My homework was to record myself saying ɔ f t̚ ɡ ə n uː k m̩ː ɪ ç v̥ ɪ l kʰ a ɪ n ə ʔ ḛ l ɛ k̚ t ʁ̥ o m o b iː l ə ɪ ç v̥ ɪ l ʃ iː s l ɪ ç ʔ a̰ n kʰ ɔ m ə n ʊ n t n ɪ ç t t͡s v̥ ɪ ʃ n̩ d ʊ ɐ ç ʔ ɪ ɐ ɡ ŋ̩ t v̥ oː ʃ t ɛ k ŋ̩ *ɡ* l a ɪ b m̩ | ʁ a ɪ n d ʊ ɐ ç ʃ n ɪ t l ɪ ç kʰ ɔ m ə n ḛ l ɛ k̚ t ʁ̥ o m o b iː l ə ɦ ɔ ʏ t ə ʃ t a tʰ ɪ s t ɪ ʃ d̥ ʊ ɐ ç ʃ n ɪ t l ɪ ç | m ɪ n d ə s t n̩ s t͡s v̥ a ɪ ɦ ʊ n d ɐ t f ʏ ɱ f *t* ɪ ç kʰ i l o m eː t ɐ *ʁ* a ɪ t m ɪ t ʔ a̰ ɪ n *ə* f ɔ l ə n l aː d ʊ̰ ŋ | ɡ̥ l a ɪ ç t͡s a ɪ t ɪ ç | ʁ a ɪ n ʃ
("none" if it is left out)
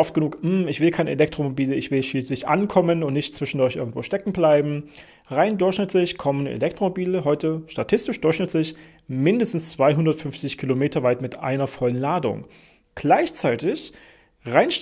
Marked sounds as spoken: b, t͡s, v, ɐ

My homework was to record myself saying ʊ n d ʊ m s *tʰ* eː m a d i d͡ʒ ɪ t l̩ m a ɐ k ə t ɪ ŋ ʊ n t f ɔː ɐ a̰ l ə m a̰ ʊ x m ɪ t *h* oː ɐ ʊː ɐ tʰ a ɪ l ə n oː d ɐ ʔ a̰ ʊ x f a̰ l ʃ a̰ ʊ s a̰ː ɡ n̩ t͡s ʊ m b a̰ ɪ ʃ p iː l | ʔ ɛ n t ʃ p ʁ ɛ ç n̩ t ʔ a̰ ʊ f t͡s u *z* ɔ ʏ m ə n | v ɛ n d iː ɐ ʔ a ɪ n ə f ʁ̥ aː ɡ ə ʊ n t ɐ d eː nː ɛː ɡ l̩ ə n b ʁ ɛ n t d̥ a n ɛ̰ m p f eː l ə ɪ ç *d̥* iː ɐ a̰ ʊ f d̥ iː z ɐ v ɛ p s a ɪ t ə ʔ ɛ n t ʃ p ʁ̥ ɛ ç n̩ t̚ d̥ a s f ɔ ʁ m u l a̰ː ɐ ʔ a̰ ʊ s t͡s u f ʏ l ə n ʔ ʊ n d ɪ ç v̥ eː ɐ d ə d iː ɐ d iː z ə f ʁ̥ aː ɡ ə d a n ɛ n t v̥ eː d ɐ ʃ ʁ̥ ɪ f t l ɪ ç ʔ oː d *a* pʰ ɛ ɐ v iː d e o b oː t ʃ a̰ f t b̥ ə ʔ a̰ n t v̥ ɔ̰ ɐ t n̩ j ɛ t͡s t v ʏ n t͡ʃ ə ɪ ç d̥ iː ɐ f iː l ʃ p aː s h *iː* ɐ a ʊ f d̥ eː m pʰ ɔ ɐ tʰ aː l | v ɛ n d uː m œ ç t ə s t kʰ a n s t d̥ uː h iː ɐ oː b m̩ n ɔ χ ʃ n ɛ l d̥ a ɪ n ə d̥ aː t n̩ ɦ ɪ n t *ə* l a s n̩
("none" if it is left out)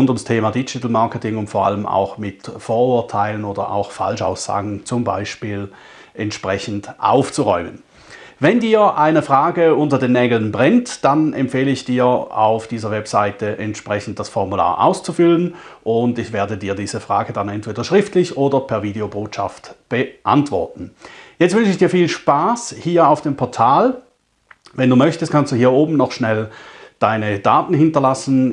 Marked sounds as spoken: tʰ, f, ʁ, d̥, ɐ, iː, ɐ

